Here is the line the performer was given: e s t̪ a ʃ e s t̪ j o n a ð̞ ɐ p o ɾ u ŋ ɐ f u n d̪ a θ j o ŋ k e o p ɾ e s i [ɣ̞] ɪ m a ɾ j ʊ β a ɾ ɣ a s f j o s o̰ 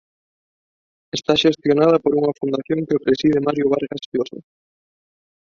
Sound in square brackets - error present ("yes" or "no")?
yes